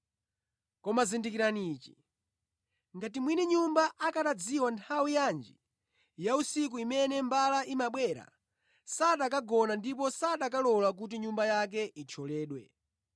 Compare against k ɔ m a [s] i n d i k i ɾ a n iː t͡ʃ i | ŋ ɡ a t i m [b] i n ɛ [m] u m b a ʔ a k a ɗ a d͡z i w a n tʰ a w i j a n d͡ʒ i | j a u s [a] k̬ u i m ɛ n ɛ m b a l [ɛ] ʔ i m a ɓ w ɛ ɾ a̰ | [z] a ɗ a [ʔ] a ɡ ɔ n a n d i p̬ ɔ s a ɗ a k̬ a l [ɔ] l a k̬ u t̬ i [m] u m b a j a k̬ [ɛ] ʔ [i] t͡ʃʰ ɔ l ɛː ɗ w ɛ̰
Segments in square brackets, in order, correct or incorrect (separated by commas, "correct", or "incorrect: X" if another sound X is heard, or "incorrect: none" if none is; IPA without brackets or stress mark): incorrect: z, incorrect: w, incorrect: ɲ, incorrect: i, incorrect: a, incorrect: s, incorrect: k, correct, incorrect: ɲ, correct, correct